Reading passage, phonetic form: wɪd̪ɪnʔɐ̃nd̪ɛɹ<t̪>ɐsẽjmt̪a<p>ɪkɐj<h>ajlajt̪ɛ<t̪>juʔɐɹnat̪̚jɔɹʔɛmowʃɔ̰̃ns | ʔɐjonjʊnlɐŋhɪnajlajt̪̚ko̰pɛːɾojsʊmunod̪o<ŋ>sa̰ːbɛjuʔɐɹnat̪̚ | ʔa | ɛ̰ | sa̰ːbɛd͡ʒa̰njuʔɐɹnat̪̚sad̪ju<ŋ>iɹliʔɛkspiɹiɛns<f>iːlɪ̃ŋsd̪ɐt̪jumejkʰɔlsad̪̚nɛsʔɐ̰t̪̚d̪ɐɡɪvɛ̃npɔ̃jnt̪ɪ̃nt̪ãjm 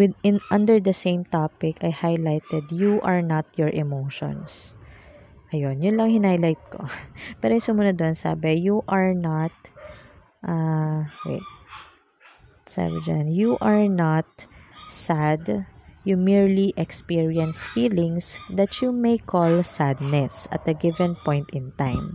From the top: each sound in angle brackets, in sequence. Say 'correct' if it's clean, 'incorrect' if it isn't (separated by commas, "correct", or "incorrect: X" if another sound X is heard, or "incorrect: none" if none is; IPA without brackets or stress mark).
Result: incorrect: d̪, correct, correct, incorrect: d̪, incorrect: n, incorrect: m, correct